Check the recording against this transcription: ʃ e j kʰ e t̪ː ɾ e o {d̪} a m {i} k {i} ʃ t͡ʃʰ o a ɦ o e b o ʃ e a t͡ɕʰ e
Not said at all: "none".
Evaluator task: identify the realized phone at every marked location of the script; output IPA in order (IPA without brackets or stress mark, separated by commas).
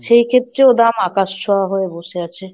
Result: d̪, a, a